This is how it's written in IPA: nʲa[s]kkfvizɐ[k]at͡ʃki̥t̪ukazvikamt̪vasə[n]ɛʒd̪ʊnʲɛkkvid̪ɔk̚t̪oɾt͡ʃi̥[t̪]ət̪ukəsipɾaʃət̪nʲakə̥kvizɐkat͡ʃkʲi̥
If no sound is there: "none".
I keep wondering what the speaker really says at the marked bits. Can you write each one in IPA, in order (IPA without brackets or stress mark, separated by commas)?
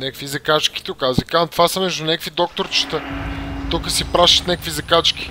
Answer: none, k, m, t̪